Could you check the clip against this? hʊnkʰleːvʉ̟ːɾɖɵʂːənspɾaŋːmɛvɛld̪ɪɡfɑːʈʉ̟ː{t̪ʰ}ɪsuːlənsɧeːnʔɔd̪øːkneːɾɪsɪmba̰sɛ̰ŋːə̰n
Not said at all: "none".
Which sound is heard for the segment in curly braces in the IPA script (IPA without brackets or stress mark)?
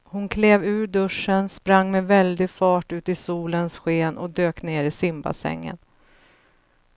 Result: t̪